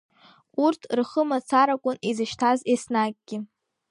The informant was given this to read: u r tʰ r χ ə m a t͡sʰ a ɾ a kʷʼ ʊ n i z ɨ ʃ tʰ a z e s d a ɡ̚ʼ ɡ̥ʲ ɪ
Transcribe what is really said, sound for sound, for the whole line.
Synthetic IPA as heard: u r tʰ r χ ə m a t͡sʰ a ɾ a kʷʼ ʊ n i z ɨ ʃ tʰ a z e s n a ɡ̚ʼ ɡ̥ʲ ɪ